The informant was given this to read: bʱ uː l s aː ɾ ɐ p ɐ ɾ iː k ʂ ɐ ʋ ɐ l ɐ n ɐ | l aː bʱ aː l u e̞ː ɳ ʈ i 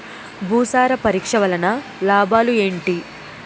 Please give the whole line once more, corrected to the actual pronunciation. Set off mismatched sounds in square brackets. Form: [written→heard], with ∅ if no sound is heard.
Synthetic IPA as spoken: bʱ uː [l→∅] s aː ɾ ɐ p ɐ ɾ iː k ʂ ɐ ʋ ɐ l ɐ n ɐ | l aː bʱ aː l u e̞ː ɳ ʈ i